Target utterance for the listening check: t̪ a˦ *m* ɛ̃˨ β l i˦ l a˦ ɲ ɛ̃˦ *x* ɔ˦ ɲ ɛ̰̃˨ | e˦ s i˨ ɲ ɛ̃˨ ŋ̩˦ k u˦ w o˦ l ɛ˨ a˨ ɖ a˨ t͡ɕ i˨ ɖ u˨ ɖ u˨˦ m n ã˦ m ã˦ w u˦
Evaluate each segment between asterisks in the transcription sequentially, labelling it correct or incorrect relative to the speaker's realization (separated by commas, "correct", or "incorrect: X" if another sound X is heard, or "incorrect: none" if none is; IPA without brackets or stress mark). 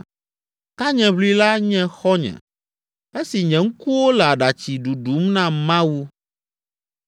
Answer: incorrect: ɲ, correct